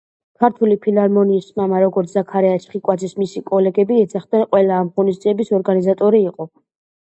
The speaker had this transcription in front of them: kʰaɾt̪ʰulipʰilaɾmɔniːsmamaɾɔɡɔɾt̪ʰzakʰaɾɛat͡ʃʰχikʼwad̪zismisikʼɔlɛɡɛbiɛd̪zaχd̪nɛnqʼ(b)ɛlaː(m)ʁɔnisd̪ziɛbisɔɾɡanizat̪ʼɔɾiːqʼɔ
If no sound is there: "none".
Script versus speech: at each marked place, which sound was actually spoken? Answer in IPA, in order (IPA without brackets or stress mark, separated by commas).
w, m